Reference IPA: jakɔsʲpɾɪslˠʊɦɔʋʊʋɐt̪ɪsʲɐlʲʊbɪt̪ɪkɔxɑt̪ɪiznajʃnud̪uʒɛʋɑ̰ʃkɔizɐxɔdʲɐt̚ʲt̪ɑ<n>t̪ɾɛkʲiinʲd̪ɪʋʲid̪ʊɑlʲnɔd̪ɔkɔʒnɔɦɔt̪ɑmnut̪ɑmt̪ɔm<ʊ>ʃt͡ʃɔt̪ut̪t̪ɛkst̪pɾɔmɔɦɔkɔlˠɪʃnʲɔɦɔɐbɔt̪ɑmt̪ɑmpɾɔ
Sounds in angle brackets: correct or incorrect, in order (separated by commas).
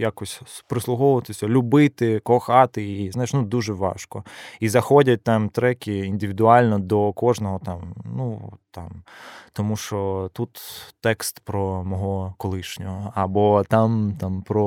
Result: incorrect, incorrect